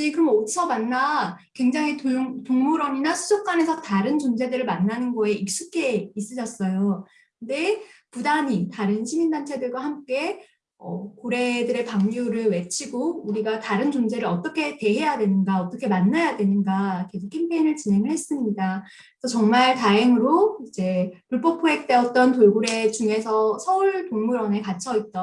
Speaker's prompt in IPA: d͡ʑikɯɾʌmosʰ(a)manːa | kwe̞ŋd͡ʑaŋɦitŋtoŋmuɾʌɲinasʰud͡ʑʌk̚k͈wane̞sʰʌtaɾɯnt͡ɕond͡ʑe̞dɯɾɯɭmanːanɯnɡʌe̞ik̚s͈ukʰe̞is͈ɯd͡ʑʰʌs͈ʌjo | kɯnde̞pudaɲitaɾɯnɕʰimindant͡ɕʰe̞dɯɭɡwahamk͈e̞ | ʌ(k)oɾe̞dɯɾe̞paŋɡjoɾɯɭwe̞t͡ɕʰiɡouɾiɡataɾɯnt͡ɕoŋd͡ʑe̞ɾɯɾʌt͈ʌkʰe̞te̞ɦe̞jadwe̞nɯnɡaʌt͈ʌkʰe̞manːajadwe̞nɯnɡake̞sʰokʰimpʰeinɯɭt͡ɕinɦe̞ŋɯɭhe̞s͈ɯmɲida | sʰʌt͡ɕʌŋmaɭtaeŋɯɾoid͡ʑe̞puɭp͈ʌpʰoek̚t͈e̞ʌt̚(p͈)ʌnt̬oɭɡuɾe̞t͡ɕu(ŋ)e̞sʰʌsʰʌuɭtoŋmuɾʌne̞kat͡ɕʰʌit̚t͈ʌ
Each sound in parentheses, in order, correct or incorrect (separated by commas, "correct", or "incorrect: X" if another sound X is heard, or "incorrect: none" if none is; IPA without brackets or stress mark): incorrect: ʌ, correct, incorrect: t͈, correct